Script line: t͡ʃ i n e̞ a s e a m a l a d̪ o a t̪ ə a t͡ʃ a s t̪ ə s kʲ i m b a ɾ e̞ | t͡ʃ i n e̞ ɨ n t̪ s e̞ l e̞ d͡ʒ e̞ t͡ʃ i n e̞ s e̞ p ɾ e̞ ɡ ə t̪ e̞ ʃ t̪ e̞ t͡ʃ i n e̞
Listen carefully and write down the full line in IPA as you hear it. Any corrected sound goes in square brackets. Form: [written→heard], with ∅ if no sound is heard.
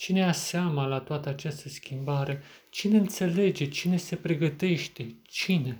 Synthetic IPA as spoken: t͡ʃ i n e̞ a s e a m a l a [d̪→t̪] o a t̪ ə a t͡ʃ a s t̪ ə s kʲ i m b a ɾ e̞ | t͡ʃ i n e̞ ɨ n t̪ s e̞ l e̞ d͡ʒ e̞ t͡ʃ i n e̞ s e̞ p ɾ e̞ ɡ ə t̪ e̞ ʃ t̪ e̞ t͡ʃ i n e̞